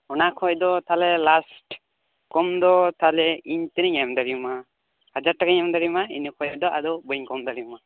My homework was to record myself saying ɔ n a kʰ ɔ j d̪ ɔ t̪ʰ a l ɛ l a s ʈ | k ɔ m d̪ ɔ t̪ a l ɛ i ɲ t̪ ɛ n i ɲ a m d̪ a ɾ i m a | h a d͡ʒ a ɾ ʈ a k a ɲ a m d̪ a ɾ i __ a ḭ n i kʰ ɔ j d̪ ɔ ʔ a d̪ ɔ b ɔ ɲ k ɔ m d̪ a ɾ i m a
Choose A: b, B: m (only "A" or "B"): B